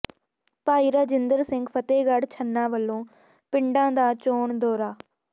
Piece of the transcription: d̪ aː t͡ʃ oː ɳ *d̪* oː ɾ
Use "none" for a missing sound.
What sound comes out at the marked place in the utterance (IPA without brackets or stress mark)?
d̪